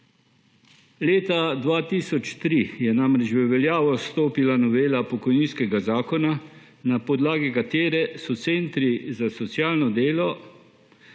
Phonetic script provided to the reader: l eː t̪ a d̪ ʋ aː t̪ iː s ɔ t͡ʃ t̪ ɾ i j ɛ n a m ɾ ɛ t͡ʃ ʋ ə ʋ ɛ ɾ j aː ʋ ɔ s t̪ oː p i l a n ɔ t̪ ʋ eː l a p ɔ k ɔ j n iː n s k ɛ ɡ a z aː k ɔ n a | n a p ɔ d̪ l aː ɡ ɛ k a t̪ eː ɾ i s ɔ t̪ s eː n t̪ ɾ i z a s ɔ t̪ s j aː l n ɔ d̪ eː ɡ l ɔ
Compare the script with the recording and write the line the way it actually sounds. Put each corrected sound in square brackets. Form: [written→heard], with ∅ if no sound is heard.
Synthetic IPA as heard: l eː t̪ a d̪ ʋ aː t̪ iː s ɔ t͡ʃ t̪ ɾ i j ɛ n a m ɾ ɛ t͡ʃ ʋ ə ʋ ɛ [ɾ→l] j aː ʋ ɔ s t̪ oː p i l a n ɔ [t̪→∅] ʋ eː l a p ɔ k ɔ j n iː n s k ɛ ɡ a z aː k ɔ n a | n a p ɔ d̪ l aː ɡ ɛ k a t̪ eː ɾ [i→ɛ] s ɔ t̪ s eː n t̪ ɾ i z a s ɔ t̪ s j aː l n ɔ d̪ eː [ɡ→∅] l ɔ